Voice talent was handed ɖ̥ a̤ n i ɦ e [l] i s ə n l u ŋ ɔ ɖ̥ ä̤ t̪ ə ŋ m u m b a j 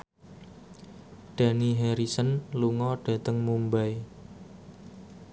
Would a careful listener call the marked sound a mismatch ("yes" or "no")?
yes